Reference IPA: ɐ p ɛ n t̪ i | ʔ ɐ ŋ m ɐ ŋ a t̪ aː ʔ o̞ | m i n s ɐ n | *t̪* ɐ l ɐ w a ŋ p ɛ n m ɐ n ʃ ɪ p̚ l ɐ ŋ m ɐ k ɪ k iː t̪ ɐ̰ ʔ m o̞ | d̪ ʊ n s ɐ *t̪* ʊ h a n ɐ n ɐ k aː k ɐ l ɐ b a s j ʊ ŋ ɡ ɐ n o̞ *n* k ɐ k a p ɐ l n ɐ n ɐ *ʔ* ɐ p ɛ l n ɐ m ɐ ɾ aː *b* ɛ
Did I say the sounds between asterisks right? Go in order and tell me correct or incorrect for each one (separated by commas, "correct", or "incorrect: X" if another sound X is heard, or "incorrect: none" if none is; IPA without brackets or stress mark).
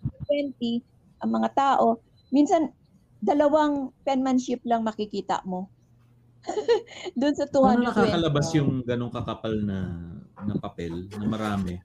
incorrect: d̪, correct, incorrect: ŋ, incorrect: p, incorrect: m